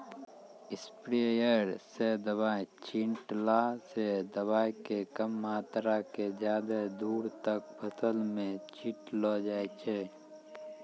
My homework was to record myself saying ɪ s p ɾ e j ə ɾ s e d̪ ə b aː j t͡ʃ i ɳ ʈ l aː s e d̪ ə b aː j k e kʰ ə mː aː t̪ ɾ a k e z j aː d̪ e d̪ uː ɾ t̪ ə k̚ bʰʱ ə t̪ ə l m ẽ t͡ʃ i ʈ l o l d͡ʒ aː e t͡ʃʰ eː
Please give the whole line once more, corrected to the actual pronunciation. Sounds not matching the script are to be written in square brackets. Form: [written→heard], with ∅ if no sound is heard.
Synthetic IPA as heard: ɪ s p ɾ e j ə ɾ s e d̪ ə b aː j t͡ʃ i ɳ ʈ l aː s e d̪ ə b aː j k e [kʰ→k] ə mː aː t̪ ɾ a k e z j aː d̪ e d̪ uː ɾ t̪ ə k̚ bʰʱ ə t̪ ə l m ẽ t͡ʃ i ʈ l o [l→∅] d͡ʒ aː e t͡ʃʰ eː